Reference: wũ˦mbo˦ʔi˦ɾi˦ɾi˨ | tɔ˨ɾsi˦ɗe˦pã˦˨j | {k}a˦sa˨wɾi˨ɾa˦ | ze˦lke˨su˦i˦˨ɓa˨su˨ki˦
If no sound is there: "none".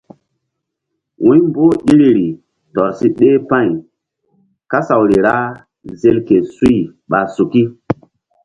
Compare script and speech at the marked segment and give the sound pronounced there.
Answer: k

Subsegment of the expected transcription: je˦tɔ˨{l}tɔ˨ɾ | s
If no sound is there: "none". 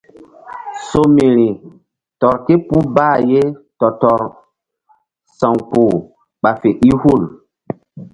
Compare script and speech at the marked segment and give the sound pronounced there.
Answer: none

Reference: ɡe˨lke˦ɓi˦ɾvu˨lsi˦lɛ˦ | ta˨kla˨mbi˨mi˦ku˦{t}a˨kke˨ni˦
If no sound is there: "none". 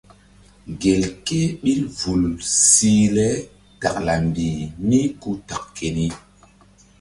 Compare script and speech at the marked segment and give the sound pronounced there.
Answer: t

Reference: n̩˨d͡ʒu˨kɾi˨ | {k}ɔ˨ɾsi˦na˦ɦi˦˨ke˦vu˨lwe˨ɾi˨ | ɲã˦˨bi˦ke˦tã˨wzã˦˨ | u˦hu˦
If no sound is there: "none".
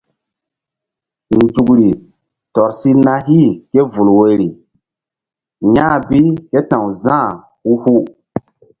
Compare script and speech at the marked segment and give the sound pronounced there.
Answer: t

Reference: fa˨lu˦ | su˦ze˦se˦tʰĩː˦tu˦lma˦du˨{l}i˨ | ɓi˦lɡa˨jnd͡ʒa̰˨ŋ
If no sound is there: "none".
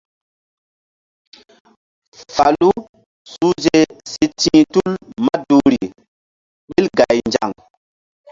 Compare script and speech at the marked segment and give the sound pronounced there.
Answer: ɾ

